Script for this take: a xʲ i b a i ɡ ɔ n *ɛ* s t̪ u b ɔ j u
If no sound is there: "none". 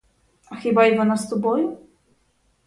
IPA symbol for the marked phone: a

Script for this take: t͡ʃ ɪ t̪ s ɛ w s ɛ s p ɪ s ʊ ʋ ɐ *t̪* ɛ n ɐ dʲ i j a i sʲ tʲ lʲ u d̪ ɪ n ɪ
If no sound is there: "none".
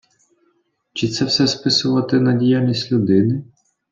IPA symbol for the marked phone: t̪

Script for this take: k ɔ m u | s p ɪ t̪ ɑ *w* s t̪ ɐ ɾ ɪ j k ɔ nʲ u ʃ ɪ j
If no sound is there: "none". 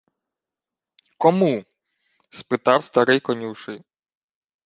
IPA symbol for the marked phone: w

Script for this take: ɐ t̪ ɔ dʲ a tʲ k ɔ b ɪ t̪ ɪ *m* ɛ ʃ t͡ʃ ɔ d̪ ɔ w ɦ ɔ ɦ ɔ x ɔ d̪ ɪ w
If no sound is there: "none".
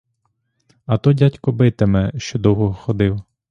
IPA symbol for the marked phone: m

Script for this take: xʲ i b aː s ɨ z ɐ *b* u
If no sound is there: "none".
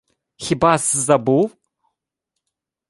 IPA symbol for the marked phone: b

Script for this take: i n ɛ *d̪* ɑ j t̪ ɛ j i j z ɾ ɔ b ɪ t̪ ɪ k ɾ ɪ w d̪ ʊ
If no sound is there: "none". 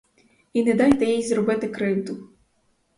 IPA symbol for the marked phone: d̪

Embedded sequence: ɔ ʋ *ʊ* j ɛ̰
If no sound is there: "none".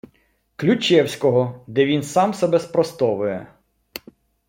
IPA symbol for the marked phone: ʊ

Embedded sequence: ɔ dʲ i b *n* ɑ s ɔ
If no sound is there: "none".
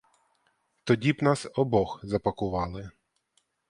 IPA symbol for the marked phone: n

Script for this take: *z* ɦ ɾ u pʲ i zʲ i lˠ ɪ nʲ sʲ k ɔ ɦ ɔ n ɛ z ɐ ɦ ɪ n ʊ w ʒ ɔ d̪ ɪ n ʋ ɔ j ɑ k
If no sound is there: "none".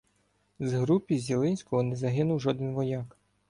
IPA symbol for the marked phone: z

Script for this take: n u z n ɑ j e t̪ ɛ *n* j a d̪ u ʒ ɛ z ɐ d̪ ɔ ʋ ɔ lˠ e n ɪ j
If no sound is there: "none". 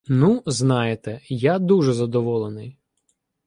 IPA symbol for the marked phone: none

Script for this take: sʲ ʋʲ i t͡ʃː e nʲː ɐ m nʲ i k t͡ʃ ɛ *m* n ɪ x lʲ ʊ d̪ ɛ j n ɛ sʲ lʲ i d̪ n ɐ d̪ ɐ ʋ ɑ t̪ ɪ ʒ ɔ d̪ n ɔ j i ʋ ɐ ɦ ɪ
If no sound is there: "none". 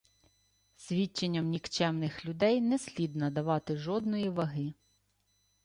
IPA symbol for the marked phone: m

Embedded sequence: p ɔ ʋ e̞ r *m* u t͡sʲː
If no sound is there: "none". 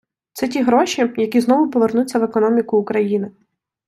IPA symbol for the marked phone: n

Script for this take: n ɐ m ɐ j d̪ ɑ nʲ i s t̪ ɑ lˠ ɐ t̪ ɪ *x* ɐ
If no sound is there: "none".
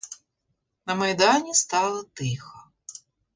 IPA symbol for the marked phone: x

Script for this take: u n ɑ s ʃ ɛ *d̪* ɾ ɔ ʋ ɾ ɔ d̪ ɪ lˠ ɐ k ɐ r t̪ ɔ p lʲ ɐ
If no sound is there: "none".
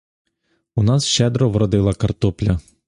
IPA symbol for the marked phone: d̪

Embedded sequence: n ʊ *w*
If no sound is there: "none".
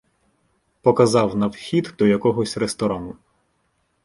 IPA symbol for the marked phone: none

